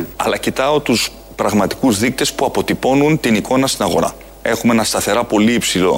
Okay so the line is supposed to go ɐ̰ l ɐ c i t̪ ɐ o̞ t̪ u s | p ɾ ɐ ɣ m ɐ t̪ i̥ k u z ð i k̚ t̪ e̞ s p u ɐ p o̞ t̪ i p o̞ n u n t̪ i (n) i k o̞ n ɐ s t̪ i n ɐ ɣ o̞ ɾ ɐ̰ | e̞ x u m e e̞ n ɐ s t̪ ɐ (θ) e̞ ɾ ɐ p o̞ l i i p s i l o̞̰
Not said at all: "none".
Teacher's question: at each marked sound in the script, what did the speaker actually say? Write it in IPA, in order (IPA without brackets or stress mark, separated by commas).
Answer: n, θ